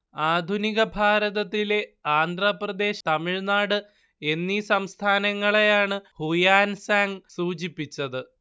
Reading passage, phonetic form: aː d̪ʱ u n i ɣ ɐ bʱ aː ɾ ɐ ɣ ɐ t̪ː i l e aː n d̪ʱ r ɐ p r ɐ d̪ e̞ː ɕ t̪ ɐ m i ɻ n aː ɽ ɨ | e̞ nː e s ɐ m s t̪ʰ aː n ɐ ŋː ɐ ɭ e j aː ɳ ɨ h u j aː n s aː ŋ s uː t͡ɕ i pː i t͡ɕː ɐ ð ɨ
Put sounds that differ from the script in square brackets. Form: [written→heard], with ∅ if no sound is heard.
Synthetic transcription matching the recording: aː d̪ʱ u n i ɣ ɐ bʱ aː ɾ ɐ [ɣ→ð] ɐ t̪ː i l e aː n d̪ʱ r ɐ p r ɐ d̪ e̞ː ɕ t̪ ɐ m i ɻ n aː ɽ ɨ | e̞ nː [e→i] s ɐ m s t̪ʰ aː n ɐ ŋː ɐ ɭ e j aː ɳ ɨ h u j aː n s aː ŋ s uː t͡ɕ i pː i t͡ɕː ɐ ð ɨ